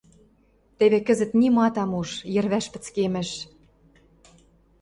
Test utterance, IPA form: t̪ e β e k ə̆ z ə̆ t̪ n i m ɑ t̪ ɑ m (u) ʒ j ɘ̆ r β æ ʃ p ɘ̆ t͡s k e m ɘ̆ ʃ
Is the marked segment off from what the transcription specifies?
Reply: no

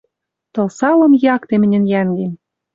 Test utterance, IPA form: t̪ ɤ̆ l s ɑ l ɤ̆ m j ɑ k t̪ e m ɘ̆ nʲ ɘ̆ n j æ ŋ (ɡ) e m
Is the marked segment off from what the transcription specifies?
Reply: no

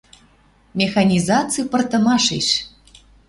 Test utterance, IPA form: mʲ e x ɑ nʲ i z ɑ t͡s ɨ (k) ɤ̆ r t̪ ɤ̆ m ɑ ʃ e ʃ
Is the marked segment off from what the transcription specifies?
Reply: yes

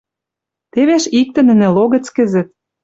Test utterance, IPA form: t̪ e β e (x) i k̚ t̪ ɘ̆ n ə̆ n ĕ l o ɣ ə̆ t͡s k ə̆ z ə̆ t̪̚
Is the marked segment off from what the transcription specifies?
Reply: yes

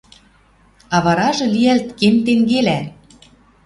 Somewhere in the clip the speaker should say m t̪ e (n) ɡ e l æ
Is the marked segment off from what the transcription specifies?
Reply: yes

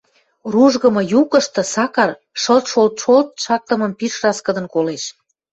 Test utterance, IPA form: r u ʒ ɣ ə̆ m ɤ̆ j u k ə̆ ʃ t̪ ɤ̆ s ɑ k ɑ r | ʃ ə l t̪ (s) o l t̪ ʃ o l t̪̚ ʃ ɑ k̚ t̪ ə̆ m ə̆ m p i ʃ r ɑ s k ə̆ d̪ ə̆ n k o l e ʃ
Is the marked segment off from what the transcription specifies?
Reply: yes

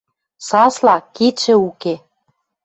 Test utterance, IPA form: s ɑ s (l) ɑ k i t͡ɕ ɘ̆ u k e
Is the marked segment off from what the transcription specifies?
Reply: no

